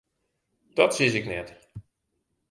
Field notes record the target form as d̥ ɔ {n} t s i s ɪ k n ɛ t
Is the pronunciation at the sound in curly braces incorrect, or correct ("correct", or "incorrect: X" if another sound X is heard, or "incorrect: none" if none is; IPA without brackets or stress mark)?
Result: incorrect: none